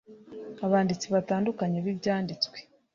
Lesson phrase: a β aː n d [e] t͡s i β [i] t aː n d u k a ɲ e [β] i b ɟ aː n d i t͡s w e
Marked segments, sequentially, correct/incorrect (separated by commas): incorrect, incorrect, correct